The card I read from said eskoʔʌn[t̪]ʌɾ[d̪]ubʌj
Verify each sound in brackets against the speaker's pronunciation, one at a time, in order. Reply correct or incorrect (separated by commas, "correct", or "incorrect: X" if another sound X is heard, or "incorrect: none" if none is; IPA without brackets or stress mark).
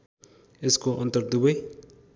correct, correct